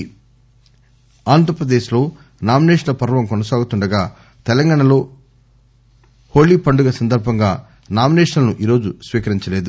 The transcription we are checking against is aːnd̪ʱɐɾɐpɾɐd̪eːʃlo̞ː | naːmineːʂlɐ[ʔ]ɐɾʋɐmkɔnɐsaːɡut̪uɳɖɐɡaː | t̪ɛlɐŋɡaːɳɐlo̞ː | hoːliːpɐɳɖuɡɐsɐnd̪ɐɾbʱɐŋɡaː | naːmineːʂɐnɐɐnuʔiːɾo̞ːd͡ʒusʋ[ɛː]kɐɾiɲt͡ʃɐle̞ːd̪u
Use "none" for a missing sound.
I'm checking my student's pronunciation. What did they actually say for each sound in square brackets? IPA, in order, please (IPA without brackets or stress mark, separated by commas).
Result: p, iː